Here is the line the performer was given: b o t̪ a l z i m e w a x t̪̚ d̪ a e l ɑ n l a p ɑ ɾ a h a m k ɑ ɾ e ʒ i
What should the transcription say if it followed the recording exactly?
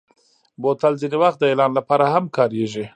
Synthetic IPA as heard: b o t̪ a l z i n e w a x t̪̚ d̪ ə e l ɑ n l a p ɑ ɾ a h a m k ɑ ɾ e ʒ i